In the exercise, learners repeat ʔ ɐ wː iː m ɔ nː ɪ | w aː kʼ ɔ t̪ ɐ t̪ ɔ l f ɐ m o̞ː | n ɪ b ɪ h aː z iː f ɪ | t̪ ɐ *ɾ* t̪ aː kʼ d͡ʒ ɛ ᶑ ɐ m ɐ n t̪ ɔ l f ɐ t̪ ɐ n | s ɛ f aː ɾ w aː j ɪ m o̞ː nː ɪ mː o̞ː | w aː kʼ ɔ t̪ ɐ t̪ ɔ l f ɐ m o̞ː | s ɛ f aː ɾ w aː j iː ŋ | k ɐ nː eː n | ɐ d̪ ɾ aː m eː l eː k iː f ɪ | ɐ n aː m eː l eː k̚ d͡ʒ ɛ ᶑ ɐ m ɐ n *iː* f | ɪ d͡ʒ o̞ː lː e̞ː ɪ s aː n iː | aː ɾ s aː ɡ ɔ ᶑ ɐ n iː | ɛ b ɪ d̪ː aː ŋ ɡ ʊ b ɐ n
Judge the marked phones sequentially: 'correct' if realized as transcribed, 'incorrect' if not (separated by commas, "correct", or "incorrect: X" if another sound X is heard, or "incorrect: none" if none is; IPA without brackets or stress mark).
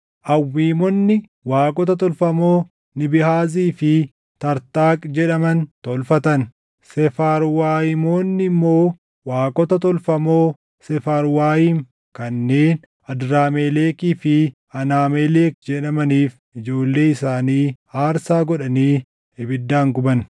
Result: correct, correct